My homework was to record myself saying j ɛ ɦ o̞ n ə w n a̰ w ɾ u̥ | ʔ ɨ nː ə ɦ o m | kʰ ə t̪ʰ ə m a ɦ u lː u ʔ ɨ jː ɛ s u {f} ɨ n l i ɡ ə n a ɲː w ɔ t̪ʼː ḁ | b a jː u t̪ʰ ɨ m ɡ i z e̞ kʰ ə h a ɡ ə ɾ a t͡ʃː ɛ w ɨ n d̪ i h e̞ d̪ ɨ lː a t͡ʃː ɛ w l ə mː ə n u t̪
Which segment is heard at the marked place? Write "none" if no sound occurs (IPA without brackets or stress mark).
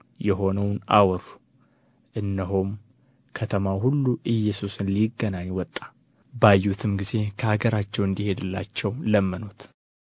s